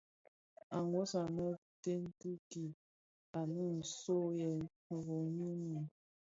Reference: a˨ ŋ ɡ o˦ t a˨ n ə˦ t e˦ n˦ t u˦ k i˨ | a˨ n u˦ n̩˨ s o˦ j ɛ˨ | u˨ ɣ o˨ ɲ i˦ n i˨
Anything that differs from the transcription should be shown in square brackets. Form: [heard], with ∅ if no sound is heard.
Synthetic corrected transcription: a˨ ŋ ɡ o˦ [s] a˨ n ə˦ t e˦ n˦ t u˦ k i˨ | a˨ n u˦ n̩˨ s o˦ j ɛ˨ | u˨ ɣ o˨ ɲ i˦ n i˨